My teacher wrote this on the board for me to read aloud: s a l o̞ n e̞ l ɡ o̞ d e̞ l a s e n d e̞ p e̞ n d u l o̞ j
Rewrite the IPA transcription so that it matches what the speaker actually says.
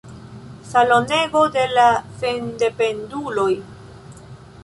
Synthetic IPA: s a l o̞ n e̞ ɡ o̞ d e̞ l a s e n d e̞ p e̞ n d u l o̞ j